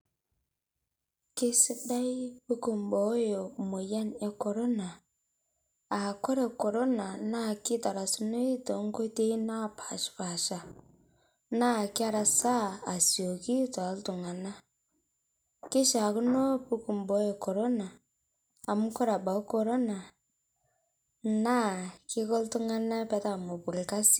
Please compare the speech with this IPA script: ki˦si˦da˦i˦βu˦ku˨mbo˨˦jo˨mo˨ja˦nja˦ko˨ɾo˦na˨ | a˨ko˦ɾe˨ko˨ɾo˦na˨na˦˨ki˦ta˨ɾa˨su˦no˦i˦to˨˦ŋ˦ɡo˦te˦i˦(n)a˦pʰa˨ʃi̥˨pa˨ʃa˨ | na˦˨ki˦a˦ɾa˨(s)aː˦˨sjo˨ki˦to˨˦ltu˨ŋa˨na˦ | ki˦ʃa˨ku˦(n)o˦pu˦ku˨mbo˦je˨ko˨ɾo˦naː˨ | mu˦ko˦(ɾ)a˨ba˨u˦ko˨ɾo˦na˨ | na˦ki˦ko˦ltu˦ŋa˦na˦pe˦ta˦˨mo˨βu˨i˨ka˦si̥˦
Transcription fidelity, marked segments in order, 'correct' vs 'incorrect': correct, correct, correct, correct

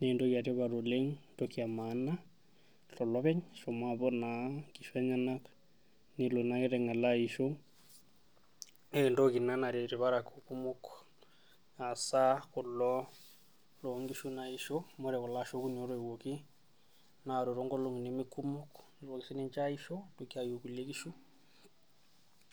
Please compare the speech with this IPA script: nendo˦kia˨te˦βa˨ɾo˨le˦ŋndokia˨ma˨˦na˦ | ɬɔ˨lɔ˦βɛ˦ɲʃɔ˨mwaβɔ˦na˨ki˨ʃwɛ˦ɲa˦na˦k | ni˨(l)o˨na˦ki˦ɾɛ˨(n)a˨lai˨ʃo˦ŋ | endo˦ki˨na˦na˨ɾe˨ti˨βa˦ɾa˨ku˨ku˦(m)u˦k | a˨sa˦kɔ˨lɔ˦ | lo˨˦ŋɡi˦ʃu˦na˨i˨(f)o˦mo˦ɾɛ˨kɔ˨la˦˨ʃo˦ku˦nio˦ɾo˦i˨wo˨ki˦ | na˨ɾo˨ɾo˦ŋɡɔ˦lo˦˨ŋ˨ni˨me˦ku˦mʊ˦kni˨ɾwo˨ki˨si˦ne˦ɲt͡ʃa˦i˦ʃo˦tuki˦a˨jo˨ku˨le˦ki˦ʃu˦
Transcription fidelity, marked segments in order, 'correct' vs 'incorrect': correct, incorrect, correct, incorrect

